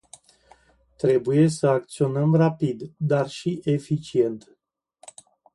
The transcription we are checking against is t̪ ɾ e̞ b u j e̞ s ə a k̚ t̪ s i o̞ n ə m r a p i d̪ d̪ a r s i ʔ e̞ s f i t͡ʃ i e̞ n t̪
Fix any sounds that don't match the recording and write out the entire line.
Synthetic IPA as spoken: t̪ ɾ e̞ b u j e̞ s ə a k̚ t̪ s i o̞ n ə m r a p i d̪ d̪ a r ʃ i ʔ e̞ f i t͡ʃ i e̞ n t̪